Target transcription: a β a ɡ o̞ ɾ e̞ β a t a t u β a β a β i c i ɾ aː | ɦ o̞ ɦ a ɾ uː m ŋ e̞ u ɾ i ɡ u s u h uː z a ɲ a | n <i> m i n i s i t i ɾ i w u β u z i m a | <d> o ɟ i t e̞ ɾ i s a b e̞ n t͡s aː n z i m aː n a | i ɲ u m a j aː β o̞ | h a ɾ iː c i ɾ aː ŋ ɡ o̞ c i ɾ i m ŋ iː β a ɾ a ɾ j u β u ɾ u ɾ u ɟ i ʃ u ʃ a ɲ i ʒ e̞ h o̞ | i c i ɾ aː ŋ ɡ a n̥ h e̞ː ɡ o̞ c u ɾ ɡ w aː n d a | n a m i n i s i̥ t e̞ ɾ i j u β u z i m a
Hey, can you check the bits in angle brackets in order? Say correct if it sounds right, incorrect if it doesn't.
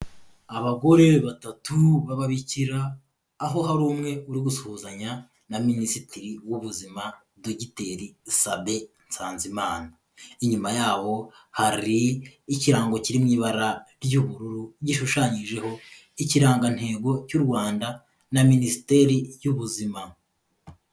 incorrect, correct

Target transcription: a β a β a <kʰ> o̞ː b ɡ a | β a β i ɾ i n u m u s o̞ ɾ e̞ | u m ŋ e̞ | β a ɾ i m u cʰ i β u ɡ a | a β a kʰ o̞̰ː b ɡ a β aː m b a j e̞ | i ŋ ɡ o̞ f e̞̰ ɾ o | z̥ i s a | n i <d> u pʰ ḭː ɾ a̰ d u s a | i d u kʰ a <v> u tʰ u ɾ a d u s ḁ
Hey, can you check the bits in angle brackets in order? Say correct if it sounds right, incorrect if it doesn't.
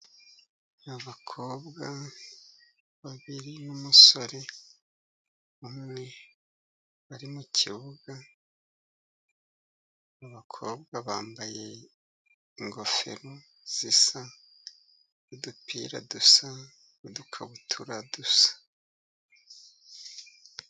correct, correct, incorrect

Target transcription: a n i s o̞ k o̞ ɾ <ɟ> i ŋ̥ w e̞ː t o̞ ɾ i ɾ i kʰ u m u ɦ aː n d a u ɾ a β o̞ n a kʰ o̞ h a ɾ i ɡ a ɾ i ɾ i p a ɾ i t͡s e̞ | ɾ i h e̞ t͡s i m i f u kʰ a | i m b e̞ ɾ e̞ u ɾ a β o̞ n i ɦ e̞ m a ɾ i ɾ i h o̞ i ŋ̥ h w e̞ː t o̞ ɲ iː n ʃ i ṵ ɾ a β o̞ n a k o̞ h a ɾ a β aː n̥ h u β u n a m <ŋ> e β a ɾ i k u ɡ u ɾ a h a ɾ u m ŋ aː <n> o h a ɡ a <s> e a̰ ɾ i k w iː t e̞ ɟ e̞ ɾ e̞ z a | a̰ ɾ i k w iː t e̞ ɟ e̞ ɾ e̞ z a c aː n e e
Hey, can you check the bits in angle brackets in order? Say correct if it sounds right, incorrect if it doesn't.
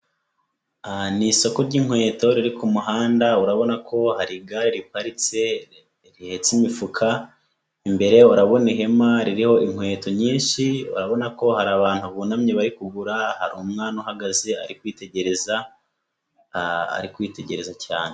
correct, incorrect, correct, incorrect

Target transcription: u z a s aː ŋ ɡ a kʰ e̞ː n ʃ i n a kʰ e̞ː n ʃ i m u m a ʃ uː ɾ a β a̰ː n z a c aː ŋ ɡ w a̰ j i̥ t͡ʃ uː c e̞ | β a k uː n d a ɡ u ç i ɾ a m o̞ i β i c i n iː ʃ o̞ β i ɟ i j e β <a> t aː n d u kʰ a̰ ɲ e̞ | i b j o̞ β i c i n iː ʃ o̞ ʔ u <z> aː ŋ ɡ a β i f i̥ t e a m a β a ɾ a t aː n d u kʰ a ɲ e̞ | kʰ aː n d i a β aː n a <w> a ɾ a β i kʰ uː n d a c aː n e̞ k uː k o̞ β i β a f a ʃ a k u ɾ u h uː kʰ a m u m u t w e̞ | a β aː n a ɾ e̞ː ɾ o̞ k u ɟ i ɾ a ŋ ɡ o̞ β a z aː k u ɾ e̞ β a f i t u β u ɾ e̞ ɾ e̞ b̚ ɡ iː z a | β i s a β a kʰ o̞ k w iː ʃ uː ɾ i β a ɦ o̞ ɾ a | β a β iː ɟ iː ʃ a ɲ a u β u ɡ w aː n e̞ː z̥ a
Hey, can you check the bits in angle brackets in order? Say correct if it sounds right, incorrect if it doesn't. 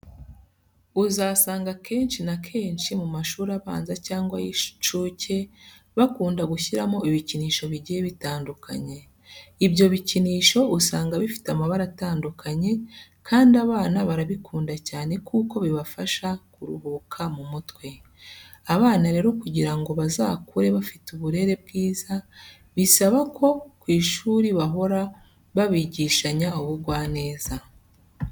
incorrect, incorrect, incorrect

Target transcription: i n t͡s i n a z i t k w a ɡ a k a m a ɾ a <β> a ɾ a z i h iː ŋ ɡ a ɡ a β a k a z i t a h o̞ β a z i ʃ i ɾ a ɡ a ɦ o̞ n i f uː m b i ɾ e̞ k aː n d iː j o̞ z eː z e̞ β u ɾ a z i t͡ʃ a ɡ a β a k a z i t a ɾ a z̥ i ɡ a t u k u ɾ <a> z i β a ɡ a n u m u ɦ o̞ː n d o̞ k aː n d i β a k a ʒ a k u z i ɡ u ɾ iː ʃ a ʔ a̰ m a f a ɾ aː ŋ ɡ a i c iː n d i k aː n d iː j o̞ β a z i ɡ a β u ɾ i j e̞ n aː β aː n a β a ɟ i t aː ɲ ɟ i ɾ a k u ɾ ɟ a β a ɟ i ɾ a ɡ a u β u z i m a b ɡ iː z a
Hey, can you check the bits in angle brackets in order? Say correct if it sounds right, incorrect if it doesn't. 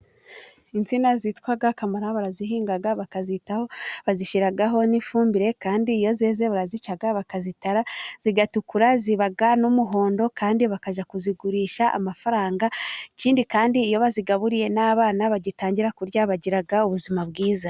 correct, correct

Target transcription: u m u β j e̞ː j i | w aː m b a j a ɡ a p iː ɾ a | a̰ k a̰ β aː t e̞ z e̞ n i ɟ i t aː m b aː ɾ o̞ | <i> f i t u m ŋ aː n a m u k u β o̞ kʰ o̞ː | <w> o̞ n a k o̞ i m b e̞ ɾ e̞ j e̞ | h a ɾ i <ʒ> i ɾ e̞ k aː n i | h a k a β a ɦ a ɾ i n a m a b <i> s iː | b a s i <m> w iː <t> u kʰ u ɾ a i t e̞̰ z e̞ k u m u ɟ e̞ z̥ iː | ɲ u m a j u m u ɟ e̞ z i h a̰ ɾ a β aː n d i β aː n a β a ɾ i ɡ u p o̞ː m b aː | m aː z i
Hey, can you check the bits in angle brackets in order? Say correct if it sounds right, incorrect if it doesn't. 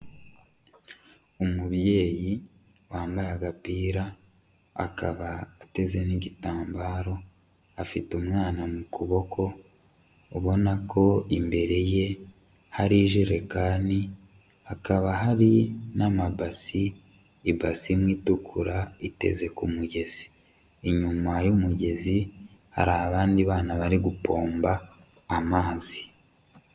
incorrect, incorrect, correct, incorrect, correct, correct

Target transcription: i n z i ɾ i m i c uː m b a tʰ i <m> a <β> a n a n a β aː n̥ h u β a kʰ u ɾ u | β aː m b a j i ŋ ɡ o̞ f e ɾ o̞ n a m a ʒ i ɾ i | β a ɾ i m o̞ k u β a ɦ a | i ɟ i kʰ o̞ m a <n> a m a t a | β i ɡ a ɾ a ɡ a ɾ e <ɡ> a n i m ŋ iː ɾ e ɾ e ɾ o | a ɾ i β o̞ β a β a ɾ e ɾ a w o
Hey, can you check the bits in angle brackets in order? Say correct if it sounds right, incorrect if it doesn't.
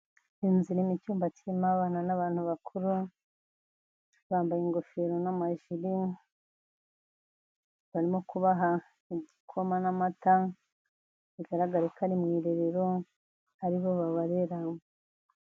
correct, correct, correct, incorrect

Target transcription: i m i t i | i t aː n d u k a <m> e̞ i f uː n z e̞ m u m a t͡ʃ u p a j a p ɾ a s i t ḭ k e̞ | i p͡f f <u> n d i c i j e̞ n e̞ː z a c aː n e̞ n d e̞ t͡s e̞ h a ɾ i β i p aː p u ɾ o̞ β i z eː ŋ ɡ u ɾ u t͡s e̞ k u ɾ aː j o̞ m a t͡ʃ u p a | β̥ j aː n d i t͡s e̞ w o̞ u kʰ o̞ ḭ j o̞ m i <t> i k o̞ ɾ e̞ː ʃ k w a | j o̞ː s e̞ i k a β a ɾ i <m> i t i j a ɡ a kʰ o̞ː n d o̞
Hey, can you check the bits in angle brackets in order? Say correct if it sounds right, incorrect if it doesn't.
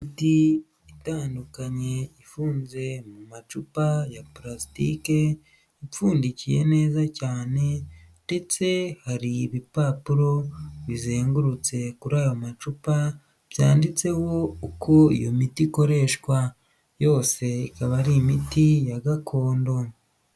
incorrect, incorrect, correct, correct

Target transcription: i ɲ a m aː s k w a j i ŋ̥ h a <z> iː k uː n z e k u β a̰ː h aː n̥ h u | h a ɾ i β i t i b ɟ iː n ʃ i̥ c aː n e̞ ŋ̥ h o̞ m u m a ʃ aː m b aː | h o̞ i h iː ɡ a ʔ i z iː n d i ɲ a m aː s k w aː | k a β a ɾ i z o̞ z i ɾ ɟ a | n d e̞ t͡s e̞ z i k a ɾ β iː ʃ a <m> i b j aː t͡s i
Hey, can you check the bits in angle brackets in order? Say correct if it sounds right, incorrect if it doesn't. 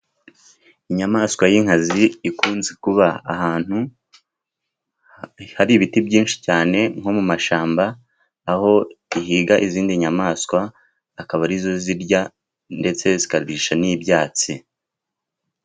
correct, incorrect

